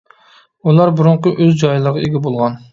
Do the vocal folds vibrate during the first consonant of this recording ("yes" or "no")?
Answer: yes